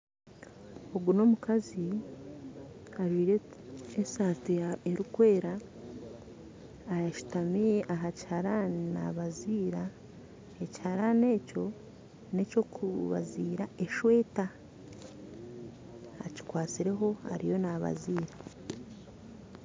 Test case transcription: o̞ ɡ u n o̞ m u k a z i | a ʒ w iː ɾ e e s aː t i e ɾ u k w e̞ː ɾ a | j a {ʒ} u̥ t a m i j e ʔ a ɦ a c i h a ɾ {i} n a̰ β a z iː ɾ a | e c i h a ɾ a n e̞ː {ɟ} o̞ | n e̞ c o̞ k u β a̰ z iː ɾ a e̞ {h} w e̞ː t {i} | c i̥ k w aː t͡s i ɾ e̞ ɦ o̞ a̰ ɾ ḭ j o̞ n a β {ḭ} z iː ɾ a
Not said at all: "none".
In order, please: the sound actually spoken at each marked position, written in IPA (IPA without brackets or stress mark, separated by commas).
ʃ, a, c, ʃ, a, a̰